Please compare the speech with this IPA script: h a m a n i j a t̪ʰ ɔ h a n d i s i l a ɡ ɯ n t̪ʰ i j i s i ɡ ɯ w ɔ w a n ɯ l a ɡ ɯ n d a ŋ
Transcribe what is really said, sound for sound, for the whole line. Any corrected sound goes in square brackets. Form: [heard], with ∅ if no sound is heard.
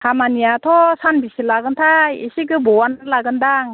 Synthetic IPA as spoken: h a m a n i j a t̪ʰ ɔ [s] a n [b] i s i l a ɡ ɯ n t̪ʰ [a] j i s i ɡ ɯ [b] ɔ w a n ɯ l a ɡ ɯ n d a ŋ